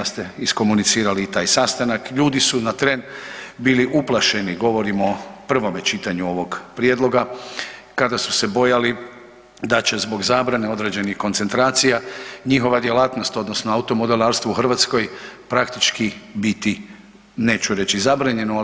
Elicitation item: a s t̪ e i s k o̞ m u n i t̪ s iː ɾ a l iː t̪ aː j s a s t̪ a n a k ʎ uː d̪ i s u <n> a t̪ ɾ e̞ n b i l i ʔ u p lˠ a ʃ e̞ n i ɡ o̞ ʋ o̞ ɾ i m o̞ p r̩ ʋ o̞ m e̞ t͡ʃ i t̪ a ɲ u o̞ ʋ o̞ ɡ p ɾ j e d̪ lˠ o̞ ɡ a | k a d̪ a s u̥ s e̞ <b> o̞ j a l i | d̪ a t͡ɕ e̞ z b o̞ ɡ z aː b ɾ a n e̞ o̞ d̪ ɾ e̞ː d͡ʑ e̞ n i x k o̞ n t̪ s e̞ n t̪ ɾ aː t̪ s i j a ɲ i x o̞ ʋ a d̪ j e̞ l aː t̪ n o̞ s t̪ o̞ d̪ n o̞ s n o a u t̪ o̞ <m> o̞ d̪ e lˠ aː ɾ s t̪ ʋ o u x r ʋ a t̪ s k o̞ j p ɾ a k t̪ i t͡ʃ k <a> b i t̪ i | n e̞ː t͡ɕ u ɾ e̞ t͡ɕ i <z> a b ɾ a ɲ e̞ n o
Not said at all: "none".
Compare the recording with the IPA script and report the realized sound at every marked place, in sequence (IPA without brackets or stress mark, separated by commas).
n, b, m, i, z